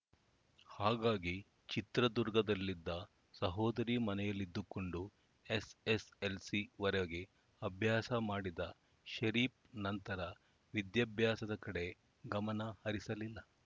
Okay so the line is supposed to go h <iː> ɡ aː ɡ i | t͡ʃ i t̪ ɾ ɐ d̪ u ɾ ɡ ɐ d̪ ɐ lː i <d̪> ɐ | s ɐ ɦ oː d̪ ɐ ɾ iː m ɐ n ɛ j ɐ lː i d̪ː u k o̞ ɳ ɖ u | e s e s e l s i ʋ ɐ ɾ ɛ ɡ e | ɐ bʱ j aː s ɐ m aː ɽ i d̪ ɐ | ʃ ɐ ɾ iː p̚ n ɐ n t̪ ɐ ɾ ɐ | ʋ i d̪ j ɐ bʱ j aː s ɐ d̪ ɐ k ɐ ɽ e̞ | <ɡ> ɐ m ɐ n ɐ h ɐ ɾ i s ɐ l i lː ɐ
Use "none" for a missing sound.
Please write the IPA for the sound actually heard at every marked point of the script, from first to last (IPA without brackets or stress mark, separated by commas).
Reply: aː, d̪ː, ɡ